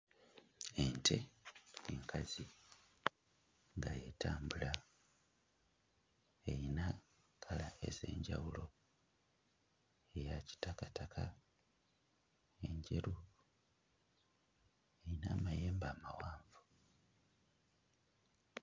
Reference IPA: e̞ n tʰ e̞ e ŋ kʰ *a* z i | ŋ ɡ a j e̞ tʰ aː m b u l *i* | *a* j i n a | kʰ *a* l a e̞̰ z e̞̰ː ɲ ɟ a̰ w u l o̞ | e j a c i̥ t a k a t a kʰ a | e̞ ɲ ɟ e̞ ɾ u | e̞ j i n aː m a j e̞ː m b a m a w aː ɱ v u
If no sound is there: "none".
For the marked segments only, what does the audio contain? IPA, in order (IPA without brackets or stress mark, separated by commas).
a, a, e, a